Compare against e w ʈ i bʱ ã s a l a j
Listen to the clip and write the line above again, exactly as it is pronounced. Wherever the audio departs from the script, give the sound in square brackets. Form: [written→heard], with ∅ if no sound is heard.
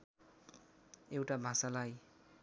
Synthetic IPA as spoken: e w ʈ [i→a] bʱ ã s a l a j